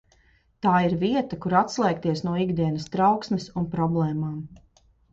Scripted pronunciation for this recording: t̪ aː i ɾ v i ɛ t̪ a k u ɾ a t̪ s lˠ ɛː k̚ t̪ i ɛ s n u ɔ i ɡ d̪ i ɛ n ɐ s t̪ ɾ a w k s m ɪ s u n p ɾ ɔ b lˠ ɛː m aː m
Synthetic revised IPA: t̪ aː i ɾ v i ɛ t̪ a k u ɾ a t̪ s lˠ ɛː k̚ t̪ i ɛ s n u ɔ i ɡ d̪ i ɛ n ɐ s t̪ ɾ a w k s m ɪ s u n p ɾ ɔ b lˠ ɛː m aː m